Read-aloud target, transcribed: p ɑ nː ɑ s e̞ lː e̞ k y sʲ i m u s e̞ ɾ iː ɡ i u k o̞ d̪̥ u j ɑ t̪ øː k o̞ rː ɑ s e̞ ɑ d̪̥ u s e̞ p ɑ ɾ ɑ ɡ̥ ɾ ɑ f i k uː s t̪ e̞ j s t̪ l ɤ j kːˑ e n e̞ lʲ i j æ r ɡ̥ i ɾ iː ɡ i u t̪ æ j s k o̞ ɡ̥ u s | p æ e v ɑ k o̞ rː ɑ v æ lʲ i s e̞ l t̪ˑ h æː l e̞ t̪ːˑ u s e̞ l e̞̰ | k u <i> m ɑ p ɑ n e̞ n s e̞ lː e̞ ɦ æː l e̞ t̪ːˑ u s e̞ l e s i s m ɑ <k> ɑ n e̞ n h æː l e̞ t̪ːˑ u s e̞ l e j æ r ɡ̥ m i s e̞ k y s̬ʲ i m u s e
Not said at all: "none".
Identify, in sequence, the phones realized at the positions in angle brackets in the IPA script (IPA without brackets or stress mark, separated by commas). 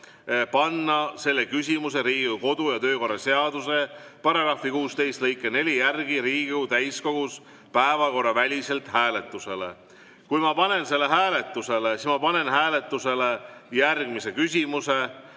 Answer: j, p